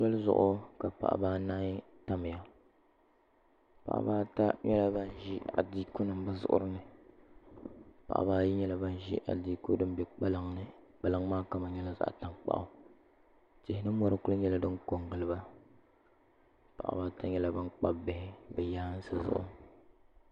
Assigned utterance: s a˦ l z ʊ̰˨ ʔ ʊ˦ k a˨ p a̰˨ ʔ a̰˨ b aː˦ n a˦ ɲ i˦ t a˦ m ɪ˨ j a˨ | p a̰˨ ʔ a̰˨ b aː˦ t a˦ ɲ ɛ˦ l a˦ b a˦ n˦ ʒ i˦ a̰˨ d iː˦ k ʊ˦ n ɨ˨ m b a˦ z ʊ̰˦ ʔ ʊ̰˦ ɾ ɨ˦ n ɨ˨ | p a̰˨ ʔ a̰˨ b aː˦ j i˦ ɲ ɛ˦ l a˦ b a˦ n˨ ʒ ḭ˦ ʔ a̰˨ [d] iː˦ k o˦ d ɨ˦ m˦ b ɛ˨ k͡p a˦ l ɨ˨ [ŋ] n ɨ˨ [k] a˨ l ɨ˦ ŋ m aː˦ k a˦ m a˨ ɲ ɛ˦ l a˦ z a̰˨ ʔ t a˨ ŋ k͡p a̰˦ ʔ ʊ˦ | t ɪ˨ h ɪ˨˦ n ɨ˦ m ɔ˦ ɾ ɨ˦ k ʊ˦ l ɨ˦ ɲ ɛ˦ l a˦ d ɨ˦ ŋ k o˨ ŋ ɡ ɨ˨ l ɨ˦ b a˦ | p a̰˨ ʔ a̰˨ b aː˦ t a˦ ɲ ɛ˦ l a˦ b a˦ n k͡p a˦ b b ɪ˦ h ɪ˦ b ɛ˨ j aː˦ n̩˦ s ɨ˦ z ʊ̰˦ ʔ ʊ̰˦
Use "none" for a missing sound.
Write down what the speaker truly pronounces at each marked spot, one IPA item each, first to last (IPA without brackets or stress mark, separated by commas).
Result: d, ŋ, k͡p